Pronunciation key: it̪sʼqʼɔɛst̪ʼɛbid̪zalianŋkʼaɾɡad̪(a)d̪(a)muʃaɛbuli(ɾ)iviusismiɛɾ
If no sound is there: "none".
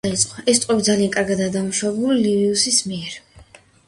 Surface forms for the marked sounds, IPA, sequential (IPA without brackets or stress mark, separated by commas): a, a, l